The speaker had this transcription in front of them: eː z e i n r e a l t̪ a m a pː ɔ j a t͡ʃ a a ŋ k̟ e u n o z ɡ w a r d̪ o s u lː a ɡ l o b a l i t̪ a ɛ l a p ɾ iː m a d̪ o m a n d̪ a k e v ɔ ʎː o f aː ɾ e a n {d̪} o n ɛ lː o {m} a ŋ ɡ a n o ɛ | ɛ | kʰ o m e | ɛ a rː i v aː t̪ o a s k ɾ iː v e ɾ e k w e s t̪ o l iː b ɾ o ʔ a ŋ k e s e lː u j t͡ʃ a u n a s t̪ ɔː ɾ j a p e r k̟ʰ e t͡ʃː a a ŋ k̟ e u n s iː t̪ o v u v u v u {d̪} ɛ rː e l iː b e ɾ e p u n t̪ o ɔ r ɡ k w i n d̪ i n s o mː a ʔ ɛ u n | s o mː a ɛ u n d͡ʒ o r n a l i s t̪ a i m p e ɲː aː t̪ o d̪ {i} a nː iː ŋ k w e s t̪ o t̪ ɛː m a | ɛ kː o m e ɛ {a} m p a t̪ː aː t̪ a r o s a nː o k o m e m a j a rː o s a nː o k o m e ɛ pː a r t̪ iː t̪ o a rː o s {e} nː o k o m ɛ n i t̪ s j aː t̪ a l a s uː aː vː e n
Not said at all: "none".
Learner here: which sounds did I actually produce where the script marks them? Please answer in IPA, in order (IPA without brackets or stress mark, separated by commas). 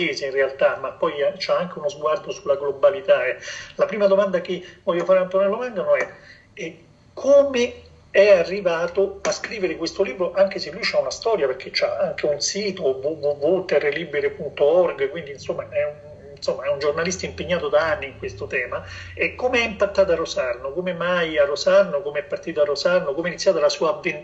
t̪, m, t̪, a, i, a